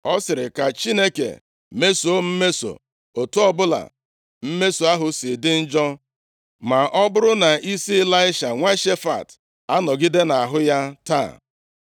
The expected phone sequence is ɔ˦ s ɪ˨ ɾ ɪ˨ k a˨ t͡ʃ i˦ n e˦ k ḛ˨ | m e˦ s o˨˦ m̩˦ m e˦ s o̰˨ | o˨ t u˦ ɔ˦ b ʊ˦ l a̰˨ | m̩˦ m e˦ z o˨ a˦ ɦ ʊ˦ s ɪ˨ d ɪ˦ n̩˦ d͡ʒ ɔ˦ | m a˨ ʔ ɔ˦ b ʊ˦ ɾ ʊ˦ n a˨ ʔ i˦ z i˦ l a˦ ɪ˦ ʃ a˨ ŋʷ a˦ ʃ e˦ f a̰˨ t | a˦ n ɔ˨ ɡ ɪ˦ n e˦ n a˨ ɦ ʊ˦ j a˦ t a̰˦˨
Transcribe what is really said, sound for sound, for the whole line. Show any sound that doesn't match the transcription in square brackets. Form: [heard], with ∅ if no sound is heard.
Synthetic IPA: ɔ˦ s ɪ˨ ɾ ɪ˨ k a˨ t͡ʃ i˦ n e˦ k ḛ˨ | m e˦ s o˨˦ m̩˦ m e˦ s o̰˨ | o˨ t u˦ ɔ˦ b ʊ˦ l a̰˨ | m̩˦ m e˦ [s] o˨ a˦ ɦ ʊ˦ s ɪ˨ d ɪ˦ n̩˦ d͡ʒ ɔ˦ | m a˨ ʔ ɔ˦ b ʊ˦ ɾ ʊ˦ n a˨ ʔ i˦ [s] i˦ l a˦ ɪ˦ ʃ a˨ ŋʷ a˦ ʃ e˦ f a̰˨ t | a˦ n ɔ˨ ɡ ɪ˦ [d] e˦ n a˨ ɦ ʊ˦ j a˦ t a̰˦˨